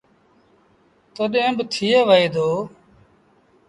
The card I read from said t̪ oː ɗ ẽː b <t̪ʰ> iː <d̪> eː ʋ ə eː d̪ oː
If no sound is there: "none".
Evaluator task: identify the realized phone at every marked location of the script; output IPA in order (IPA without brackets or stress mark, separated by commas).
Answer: t̪ʰ, none